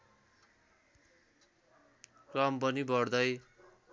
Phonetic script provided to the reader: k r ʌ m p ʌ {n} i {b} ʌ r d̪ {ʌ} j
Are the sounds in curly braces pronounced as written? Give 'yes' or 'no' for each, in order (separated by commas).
yes, yes, yes